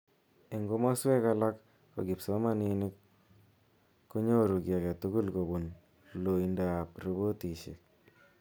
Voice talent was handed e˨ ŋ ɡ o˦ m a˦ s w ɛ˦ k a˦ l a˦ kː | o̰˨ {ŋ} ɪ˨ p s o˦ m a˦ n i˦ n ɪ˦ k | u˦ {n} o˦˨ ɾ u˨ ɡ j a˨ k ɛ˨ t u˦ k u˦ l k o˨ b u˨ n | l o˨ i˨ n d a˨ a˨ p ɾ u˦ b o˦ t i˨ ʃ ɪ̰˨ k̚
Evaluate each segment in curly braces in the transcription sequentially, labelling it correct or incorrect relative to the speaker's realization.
incorrect, incorrect

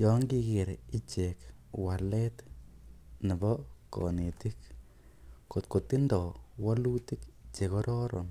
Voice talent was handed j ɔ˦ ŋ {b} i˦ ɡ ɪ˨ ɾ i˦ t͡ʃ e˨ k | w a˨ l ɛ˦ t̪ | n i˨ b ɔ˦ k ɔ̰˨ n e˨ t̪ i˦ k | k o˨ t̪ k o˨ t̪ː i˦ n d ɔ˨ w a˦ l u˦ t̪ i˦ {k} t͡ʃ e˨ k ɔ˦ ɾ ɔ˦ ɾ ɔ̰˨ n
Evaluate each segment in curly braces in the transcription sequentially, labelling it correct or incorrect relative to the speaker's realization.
incorrect, correct

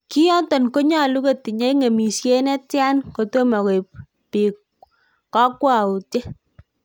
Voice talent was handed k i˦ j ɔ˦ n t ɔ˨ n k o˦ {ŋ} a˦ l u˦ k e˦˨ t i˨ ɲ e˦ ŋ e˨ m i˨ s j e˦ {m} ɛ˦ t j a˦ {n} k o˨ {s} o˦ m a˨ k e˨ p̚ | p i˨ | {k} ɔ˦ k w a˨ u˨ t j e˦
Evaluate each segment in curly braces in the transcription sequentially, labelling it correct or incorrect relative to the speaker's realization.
incorrect, incorrect, correct, incorrect, correct

